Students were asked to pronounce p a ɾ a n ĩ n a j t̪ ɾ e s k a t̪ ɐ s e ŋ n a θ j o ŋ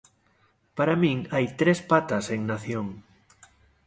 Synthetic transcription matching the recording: p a ɾ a m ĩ ŋ a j t̪ ɾ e s p a t̪ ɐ s e ŋ n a θ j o ŋ